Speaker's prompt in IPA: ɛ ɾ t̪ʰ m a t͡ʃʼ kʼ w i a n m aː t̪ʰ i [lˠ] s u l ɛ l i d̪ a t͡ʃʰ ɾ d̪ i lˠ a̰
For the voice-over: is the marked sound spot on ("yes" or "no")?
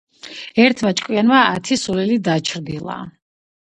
no